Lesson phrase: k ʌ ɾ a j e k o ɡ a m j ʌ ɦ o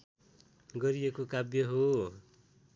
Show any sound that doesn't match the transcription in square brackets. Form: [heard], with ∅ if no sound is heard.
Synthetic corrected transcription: [ɡ] ʌ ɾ [i] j e k o [k] a [b] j ʌ ɦ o